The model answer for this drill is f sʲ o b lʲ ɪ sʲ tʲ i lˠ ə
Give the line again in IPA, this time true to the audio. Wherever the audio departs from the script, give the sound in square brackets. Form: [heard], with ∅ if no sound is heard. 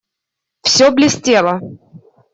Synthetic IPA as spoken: f sʲ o b lʲ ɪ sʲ tʲ [e] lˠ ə